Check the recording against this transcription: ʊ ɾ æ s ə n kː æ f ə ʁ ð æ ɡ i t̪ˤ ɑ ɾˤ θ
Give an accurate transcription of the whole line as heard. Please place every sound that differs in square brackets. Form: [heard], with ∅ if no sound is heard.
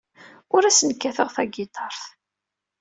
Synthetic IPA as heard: ʊ ɾ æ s ə n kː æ [θ] ə ʁ [θ] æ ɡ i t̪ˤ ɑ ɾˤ θ

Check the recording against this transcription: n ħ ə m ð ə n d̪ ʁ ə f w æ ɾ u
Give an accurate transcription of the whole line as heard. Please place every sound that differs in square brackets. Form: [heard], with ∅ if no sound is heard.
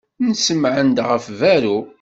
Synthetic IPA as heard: n [s] ə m [ʕ] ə n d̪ ʁ ə f [v] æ ɾ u

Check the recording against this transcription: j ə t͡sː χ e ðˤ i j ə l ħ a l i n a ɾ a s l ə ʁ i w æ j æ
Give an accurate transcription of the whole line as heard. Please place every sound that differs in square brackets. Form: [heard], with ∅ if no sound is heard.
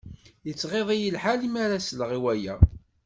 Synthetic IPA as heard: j ə t͡sː [ʁ] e ðˤ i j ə l ħ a l i [m] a ɾ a s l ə ʁ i w æ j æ

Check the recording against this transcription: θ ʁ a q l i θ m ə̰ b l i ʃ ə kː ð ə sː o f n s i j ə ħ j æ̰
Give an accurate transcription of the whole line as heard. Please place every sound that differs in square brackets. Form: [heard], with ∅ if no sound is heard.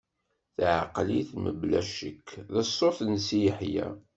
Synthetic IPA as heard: θ [ʕ] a q l i θ m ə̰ b l [æ] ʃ ə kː ð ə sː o [θ] n s i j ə ħ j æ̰

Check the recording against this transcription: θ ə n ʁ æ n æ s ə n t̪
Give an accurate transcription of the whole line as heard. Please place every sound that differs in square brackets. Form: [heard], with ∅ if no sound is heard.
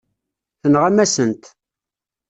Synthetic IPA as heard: θ ə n ʁ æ [m] æ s ə n t̪

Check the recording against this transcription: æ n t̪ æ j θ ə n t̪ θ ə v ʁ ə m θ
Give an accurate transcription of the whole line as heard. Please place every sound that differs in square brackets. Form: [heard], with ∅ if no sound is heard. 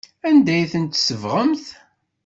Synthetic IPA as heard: æ n [d̪] æ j θ ə n t̪ [s] ə v ʁ ə m θ

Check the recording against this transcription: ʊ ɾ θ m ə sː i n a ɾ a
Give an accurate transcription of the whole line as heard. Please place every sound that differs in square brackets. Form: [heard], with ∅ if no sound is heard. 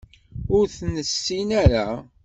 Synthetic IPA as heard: ʊ ɾ θ [n] ə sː i n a ɾ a

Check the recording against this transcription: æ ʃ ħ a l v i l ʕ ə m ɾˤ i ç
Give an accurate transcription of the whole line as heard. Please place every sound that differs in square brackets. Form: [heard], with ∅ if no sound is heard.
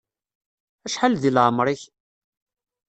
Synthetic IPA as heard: æ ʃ ħ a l [ð] i l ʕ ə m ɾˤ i ç

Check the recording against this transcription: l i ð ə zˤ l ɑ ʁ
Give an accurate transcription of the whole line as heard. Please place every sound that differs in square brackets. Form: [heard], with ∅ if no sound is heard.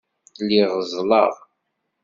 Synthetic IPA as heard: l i [ʁ] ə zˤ l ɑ ʁ

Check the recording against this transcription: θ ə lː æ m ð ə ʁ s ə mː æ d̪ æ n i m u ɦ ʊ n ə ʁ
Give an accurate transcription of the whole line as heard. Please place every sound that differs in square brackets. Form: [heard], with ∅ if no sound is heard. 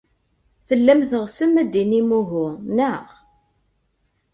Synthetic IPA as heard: θ ə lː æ m [θ] ə ʁ s ə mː æ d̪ [i] n i m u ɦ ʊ n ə ʁ

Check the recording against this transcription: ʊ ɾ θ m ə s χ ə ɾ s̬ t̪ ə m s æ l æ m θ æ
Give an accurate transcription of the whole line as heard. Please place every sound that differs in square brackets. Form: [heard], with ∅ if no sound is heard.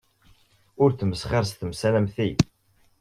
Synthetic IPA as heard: ʊ ɾ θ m ə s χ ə ɾ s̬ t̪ ə m s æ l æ m θ [i]

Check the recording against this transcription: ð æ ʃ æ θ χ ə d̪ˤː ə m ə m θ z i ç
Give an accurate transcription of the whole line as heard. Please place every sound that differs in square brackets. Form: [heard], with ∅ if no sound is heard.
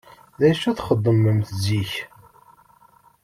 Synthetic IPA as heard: ð æ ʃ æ θ χ ə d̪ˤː ə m ə m θ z i ç

